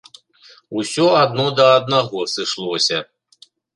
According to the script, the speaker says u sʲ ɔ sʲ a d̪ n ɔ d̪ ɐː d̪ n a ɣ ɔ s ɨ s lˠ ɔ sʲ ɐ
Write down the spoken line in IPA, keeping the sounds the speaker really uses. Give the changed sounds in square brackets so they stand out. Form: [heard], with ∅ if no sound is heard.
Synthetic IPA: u sʲ ɔ [∅] a d̪ n ɔ d̪ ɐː d̪ n a ɣ ɔ s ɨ [ʂ] lˠ ɔ sʲ ɐ